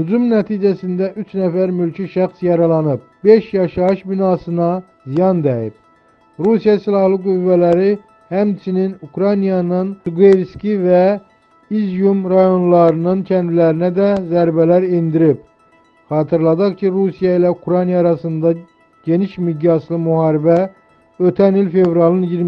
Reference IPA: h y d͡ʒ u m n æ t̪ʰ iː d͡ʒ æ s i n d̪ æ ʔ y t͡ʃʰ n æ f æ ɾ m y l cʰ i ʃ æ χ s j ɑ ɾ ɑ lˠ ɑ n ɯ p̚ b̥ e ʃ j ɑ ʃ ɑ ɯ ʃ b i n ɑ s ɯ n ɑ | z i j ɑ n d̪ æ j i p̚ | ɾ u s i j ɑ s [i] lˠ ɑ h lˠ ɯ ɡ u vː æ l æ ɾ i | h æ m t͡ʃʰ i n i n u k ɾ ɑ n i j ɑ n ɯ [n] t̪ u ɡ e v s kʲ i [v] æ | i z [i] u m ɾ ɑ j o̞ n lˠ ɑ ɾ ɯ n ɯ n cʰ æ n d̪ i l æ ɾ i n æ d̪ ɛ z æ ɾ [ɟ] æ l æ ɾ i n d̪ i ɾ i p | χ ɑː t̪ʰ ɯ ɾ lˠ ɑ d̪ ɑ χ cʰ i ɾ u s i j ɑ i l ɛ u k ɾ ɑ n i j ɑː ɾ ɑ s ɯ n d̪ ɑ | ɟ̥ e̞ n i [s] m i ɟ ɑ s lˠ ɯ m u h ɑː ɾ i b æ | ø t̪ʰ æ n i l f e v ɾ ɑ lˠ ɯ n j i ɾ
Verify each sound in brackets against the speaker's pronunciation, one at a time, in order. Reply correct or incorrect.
correct, correct, correct, incorrect, incorrect, incorrect

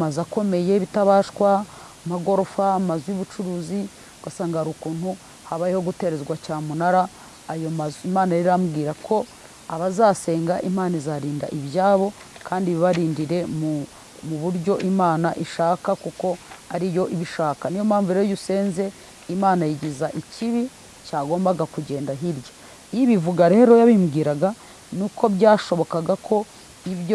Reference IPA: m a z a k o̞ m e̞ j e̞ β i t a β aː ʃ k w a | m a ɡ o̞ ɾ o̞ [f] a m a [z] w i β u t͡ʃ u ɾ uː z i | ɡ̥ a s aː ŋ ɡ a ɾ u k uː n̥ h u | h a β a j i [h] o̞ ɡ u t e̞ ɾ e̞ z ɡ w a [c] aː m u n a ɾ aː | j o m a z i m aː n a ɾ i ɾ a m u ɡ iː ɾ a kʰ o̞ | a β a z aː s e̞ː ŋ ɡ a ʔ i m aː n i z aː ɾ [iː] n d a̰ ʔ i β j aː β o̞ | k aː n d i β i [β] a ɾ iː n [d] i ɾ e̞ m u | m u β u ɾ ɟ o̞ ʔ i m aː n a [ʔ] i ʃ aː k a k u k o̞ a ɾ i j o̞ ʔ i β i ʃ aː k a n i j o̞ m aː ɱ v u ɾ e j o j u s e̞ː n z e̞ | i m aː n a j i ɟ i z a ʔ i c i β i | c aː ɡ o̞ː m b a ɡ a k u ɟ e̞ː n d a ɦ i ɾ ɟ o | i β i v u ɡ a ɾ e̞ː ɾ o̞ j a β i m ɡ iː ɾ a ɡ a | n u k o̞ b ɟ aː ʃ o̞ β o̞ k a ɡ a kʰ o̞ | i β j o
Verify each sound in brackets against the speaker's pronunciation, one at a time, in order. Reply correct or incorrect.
correct, correct, correct, correct, correct, correct, correct, correct

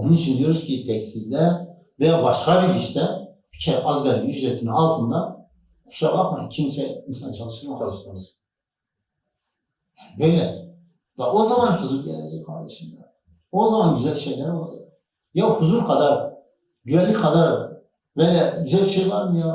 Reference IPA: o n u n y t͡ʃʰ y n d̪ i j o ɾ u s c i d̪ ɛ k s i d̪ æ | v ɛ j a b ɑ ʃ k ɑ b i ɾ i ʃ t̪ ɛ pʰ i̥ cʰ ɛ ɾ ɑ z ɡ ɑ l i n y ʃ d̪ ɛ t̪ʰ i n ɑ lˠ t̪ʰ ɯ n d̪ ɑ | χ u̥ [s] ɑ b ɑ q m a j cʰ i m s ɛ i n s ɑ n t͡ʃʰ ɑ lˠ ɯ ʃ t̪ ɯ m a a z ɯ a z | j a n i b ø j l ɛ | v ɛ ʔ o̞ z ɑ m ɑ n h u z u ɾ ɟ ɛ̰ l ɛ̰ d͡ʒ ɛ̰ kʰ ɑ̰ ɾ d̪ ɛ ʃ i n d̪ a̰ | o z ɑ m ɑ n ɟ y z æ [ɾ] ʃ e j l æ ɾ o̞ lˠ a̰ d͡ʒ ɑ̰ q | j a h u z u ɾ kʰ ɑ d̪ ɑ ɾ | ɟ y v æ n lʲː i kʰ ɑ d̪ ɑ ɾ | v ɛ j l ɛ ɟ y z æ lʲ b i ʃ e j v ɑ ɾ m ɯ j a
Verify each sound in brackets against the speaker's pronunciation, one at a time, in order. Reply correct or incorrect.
incorrect, incorrect

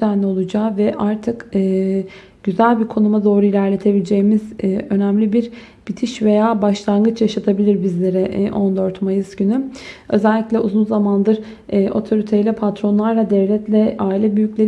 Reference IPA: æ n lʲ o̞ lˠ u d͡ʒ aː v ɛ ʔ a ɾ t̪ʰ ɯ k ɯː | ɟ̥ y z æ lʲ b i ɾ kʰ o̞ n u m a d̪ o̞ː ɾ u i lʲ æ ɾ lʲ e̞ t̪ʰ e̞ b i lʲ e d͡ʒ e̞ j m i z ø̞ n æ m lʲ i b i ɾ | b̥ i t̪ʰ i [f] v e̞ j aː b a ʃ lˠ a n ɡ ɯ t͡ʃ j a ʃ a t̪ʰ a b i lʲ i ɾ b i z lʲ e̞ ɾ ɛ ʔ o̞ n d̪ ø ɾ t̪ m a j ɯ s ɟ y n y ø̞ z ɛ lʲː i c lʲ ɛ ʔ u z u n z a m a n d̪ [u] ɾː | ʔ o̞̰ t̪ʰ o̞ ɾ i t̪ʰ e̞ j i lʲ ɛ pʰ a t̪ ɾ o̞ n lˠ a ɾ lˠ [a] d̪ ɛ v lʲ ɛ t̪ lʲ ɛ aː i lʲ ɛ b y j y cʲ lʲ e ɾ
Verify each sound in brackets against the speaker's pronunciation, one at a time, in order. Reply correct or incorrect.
incorrect, incorrect, correct

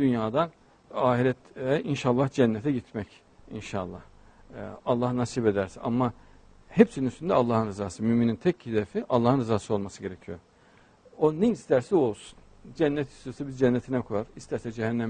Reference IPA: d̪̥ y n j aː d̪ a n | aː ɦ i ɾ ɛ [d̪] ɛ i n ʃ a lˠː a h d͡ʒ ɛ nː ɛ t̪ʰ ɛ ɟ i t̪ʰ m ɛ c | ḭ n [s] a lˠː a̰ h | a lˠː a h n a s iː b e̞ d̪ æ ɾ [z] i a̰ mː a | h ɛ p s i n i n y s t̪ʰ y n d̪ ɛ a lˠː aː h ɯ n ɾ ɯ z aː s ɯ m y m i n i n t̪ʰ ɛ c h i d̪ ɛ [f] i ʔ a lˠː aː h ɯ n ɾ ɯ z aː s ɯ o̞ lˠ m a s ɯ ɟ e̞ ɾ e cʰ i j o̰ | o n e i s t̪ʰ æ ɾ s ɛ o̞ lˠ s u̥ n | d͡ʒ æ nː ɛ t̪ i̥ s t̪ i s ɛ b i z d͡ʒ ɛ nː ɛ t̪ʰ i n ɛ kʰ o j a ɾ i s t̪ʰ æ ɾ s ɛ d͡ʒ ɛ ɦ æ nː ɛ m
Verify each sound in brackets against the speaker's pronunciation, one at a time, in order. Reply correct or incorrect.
incorrect, incorrect, incorrect, correct

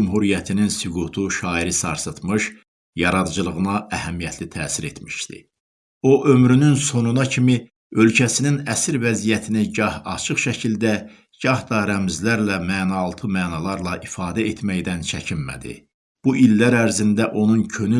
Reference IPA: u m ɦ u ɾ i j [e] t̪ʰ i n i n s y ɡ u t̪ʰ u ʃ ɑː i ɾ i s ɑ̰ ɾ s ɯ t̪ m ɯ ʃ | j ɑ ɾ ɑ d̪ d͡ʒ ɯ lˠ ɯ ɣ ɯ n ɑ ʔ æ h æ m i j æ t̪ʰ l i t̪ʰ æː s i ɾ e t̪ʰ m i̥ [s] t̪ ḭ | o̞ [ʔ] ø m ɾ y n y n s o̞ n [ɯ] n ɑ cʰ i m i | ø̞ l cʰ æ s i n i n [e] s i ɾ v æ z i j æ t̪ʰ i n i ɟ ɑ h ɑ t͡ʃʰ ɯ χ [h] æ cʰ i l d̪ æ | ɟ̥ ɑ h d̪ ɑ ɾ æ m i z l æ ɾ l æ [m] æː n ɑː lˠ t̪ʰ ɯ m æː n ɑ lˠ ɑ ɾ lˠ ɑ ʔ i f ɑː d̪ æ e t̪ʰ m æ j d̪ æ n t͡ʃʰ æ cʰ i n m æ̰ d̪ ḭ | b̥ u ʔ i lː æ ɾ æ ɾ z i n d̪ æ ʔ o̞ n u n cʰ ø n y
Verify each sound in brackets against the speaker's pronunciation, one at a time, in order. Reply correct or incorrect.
incorrect, incorrect, correct, incorrect, incorrect, incorrect, correct

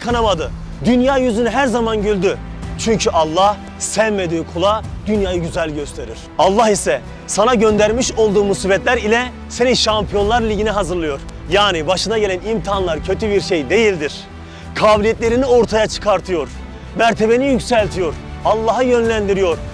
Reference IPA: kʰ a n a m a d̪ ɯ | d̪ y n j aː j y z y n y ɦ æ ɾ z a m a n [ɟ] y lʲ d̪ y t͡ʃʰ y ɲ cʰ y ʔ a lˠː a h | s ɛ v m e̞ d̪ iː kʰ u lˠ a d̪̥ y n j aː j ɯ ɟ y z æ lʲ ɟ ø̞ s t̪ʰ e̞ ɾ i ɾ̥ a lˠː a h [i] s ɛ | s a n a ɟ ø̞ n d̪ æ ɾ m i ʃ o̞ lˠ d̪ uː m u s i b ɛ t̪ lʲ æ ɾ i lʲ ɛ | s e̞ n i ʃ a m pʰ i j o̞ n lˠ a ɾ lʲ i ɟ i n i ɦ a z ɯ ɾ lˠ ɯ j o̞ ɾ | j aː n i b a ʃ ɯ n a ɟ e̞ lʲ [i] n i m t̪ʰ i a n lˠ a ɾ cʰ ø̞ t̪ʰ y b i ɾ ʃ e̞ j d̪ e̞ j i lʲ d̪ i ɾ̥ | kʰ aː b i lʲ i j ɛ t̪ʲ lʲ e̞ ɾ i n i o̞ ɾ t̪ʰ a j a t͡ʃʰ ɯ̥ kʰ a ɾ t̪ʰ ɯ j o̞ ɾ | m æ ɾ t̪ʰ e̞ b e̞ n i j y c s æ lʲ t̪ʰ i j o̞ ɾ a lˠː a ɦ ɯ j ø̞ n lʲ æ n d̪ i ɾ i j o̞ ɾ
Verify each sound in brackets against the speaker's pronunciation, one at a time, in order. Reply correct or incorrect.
correct, correct, incorrect

